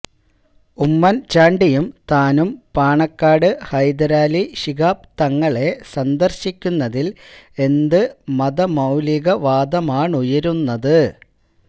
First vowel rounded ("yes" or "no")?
yes